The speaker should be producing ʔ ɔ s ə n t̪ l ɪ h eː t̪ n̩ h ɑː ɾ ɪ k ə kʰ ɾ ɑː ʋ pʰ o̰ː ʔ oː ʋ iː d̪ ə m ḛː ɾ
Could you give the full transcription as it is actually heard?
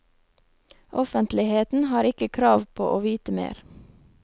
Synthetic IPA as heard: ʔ ɔ f ə n t̪ l ɪ h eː t̪ n̩ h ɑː ɾ ɪ k ə kʰ ɾ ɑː ʋ pʰ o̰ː ʔ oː ʋ iː t̪ ə m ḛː ɾ